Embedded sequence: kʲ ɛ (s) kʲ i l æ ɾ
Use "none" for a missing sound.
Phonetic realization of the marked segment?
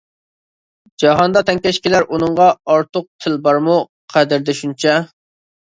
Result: ʃ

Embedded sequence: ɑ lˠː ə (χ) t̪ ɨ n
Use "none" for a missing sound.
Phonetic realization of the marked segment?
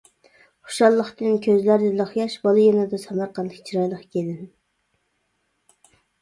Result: χ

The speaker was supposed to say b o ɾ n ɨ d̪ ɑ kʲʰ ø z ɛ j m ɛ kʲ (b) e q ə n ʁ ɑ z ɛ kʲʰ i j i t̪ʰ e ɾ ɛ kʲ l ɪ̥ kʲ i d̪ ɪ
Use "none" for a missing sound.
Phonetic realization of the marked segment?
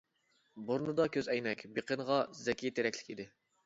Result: b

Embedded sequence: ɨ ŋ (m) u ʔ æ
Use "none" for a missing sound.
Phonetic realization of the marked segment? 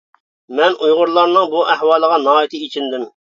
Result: b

